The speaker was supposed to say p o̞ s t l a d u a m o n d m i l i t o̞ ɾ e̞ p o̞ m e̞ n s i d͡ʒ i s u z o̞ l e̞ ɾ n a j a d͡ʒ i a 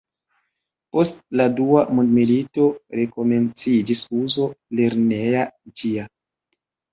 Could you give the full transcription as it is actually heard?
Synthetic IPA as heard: p o̞ s t l a d u a m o n d m i l i t o̞ ɾ e̞ k o̞ m e̞ n t͡s i d͡ʒ i s u z o̞ l e̞ ɾ n e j a d͡ʒ i a